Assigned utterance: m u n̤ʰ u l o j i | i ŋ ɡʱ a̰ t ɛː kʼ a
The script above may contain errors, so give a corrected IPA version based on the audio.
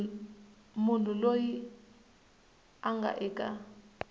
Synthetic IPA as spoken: m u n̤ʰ u l o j i | a ŋ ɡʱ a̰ ʔ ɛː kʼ a